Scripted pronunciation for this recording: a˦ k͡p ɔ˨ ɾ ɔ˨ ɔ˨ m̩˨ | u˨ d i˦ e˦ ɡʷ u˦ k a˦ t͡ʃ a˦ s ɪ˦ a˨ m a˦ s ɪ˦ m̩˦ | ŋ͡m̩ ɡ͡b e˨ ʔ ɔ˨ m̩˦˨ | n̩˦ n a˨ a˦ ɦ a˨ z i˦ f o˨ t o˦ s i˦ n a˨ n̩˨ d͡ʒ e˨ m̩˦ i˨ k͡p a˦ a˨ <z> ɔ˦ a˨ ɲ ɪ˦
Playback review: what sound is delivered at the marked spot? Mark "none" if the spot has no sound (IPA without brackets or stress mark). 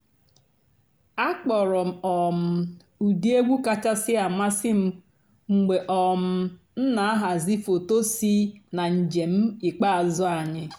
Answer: z